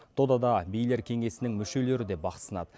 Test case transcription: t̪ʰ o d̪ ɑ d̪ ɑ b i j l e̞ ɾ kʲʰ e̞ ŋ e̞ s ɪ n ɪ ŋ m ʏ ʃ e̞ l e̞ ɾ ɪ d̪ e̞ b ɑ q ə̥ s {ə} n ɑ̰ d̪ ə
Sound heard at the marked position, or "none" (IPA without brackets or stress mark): ə